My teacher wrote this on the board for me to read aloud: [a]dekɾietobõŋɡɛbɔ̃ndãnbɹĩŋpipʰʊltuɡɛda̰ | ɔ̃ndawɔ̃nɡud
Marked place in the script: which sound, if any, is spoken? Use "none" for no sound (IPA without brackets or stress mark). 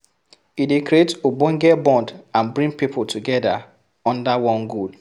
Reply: i